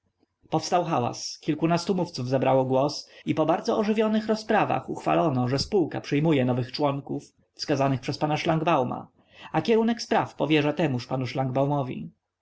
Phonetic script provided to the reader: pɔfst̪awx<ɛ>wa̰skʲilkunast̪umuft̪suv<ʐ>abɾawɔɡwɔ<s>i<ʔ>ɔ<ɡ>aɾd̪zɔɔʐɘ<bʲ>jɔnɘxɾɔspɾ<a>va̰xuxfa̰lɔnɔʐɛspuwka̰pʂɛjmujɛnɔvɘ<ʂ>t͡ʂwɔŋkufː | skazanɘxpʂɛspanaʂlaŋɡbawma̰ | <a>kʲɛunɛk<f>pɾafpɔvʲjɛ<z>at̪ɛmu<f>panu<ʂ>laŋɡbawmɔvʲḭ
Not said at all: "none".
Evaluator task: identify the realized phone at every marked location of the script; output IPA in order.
a, z, s, p, b, vʲ, a, x, a, s, ʐ, ʂ, ʂ

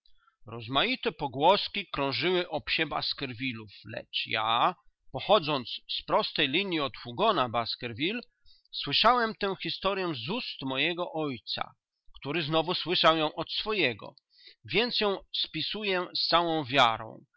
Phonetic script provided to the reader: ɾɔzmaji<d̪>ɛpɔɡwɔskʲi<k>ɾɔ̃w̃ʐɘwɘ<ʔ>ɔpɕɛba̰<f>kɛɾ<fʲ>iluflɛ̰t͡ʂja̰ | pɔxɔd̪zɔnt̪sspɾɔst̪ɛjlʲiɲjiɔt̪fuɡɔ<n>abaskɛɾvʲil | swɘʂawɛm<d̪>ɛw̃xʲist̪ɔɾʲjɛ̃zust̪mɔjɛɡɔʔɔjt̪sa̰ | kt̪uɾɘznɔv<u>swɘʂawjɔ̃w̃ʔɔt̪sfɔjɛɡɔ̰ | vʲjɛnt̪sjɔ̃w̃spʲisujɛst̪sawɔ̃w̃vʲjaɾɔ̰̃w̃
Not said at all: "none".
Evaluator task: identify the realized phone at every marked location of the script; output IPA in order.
t̪, k, ʔ, s, vʲ, n, t̪, u

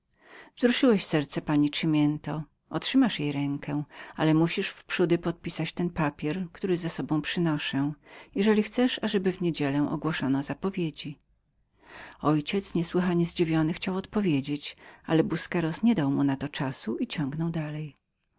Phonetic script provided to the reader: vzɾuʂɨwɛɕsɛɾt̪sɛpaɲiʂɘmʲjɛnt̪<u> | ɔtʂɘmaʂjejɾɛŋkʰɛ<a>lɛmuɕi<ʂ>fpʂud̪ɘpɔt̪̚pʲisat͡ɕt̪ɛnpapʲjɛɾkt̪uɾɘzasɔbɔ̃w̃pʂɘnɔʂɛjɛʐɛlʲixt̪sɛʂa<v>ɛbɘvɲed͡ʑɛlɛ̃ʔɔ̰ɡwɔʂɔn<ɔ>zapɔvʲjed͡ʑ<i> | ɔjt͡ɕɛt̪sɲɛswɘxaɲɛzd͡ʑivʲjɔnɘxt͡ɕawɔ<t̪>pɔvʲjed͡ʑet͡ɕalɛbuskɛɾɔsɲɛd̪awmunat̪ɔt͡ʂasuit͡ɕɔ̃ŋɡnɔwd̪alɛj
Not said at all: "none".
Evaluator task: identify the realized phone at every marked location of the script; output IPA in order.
ɔ, a, ʂ, ʐ, ɔ, i, t̪

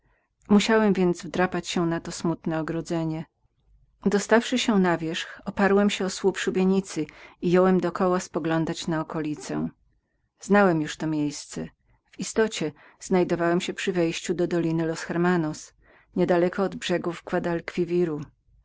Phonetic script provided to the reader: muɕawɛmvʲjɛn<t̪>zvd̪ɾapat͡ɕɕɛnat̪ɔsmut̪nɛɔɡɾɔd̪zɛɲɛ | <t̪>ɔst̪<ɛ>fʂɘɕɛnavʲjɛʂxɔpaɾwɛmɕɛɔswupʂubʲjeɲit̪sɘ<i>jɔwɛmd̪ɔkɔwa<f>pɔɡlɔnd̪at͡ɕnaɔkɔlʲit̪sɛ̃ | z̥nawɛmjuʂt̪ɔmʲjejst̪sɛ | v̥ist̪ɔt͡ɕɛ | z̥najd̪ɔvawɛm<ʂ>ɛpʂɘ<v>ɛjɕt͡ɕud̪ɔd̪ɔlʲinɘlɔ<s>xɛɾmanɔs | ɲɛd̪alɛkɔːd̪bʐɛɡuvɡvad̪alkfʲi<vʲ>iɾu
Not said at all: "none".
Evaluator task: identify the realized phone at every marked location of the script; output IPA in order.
d̪, d̪, a, i, s, ɕ, v, s, vʲ

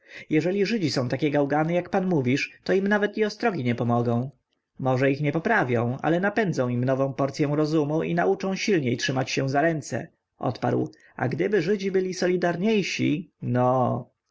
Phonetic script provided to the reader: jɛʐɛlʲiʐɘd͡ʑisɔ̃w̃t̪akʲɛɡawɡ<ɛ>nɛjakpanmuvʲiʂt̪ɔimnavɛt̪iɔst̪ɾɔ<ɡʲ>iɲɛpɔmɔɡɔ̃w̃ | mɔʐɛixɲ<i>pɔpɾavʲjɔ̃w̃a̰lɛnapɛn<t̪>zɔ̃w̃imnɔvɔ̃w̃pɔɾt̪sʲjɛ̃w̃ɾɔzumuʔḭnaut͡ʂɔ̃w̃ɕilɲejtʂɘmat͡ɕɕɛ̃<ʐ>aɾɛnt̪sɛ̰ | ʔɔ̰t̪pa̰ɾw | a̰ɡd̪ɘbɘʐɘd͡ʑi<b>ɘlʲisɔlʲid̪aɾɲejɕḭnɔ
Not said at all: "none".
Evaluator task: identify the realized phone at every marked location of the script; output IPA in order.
a, ɡʲ, ɛ, d̪, z, b

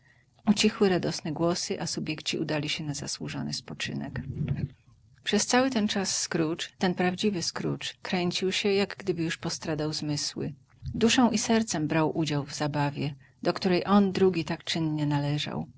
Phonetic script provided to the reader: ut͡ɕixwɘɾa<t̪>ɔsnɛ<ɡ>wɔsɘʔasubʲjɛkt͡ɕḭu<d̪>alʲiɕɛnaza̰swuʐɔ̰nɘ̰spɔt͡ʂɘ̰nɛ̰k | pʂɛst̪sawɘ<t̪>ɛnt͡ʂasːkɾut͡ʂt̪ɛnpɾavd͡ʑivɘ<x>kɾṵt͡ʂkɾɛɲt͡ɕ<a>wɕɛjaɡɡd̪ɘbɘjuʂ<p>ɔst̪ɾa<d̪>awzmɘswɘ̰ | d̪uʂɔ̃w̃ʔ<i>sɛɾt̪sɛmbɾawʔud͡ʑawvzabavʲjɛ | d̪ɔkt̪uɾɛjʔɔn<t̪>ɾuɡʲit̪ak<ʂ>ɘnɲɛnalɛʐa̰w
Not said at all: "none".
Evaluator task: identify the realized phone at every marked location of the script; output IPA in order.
d̪, ɡ, d̪, t̪, s, i, p, d̪, i, d̪, t͡ʂ

